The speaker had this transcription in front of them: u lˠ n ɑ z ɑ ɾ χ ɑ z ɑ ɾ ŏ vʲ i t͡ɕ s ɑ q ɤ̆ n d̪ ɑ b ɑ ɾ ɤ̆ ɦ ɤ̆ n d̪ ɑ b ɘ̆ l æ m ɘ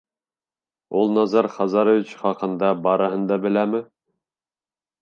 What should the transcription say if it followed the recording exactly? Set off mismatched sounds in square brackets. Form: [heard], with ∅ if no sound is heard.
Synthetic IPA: u lˠ n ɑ z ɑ ɾ χ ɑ z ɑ ɾ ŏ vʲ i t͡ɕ [χ] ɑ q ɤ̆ n d̪ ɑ b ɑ ɾ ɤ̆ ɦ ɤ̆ n d̪ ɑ b ɘ̆ l æ m ɘ

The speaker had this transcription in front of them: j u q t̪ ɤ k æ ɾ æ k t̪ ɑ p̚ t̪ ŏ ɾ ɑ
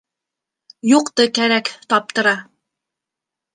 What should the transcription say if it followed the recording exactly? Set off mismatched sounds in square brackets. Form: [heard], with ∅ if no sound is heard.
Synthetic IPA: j u q t̪ ɤ k æ ɾ æ k t̪ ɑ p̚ t̪ [ɤ̆] ɾ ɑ

